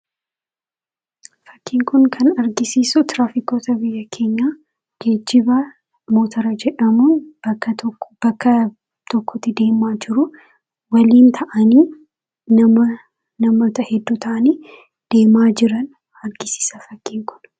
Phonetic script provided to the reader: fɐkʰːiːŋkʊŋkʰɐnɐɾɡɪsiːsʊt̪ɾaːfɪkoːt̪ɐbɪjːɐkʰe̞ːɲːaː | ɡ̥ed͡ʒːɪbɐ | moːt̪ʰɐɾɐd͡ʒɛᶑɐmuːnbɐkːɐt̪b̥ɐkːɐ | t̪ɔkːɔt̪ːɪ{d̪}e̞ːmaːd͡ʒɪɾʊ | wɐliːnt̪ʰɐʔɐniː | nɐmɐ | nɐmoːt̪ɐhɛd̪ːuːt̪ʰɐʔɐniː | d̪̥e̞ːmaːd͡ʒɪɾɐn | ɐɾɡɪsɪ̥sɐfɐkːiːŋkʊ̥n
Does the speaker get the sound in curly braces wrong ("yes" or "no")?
no